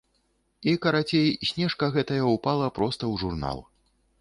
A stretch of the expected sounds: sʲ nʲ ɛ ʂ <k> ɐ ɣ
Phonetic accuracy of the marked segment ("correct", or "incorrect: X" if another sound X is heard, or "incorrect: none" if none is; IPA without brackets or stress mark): correct